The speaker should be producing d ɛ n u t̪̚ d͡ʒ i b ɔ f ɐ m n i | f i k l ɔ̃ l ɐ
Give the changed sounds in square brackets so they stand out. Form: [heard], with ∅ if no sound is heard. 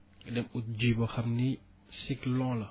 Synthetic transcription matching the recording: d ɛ [m] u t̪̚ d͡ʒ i b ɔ [x] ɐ m n i | [s] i k l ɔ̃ l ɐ